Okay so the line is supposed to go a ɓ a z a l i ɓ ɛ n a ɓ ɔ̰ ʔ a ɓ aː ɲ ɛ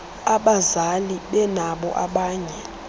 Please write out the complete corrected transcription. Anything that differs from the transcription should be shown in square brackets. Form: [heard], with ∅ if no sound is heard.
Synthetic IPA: a ɓ a z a l i ɓ ɛ n a ɓ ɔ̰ ʔ a ɓ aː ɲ ɛ